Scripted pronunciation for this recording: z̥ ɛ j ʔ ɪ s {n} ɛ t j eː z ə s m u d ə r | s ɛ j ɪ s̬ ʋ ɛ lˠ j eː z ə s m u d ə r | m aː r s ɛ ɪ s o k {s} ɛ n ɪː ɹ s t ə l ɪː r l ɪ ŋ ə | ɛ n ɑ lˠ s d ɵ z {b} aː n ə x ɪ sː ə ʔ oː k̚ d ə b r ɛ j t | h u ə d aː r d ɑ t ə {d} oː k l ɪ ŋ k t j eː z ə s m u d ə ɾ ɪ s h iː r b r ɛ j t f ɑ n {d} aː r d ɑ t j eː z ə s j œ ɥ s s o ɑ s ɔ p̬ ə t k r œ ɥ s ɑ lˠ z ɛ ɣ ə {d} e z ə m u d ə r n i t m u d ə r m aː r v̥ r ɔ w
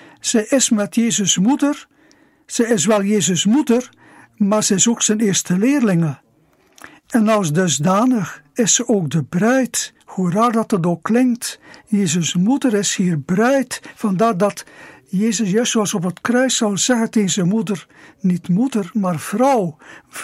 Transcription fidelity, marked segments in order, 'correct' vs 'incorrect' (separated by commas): incorrect, correct, incorrect, correct, correct, incorrect